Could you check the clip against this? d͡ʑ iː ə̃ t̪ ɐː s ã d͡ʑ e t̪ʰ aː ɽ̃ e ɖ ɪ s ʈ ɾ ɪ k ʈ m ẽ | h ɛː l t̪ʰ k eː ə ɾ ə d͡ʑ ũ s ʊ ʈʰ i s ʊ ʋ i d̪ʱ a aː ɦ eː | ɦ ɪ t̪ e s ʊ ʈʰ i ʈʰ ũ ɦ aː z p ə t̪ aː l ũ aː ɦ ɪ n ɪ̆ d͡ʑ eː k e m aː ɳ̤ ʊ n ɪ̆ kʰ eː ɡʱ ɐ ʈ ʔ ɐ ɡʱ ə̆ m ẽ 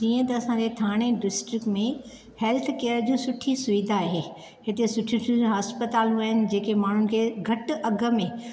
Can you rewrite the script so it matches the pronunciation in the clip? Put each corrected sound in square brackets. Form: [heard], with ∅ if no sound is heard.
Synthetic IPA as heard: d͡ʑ iː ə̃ t̪ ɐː s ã d͡ʑ e t̪ʰ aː ɽ̃ e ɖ ɪ s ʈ ɾ ɪ k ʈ m ẽ | h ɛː l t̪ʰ k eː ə ɾ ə d͡ʑ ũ s ʊ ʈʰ i s ʊ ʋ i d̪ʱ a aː ɦ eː | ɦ ɪ t̪ e s ʊ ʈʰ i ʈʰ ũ ɦ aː [s] p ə t̪ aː l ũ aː ɦ ɪ n ɪ̆ d͡ʑ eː k e m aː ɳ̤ ʊ n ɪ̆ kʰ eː ɡʱ ɐ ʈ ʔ ɐ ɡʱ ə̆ m ẽ